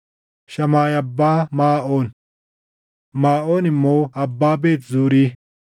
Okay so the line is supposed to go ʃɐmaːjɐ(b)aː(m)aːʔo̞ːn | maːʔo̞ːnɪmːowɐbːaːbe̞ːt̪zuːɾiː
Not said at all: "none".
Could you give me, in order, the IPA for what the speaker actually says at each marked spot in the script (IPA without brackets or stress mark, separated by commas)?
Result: bː, m